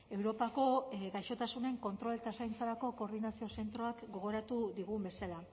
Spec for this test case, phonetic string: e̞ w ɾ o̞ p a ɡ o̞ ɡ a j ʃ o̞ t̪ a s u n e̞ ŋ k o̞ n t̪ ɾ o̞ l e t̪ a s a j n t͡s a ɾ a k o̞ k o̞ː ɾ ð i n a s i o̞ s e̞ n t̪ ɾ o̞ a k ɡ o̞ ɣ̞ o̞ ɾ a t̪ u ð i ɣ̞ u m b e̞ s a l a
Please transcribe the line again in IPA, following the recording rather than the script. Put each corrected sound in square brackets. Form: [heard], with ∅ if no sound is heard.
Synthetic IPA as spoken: e̞ w ɾ o̞ p a [k] o̞ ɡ a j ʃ o̞ t̪ a s u n e̞ ŋ k o̞ n t̪ ɾ o̞ l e t̪ a s a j n t͡s a ɾ a k o̞ k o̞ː ɾ ð i n a s i o̞ s e̞ n t̪ ɾ o̞ a k ɡ o̞ ɣ̞ o̞ ɾ a t̪ u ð i ɣ̞ u m b e̞ s a l a